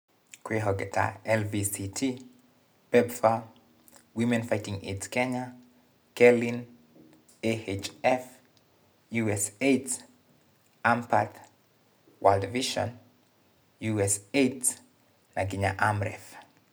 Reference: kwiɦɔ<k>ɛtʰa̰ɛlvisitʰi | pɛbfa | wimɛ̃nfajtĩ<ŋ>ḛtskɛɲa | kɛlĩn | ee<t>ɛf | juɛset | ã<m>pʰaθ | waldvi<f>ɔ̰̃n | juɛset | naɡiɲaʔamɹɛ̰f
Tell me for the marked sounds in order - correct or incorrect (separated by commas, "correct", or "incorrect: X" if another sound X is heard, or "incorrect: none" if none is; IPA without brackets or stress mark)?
incorrect: ɡ, correct, incorrect: t͡ʃ, correct, incorrect: ʃ